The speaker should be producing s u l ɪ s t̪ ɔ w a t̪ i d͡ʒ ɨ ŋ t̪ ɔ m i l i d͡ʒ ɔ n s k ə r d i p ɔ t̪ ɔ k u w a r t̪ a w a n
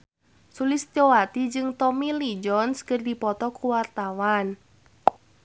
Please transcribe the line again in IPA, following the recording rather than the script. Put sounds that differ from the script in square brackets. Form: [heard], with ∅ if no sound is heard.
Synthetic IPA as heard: s u l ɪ s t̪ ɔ w a t̪ i d͡ʒ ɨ ŋ t̪ ɔ m i l i d͡ʒ ɔ n s k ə r d i p ɔ t̪ ɔ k u w a r t̪ a w a n